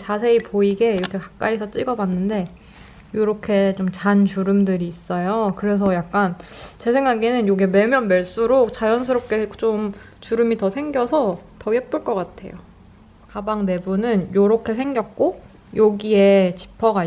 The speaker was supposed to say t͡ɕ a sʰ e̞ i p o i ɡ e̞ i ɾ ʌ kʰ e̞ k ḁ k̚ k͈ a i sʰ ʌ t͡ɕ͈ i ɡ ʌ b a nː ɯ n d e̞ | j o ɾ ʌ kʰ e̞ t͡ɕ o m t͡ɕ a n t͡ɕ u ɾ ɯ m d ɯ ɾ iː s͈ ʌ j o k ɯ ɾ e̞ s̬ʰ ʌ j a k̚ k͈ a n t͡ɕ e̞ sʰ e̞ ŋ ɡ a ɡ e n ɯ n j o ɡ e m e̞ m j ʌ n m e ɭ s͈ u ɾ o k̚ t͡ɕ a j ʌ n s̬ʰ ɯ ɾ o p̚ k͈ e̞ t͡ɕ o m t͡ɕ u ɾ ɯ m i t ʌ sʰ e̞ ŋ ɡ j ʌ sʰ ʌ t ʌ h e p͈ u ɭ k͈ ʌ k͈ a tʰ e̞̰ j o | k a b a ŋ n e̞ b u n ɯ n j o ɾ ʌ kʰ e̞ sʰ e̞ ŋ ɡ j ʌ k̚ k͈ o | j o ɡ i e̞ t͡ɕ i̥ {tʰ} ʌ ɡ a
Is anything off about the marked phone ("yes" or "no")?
yes